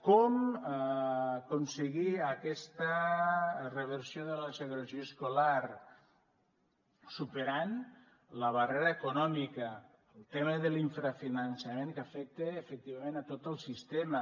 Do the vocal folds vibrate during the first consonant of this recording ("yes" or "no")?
no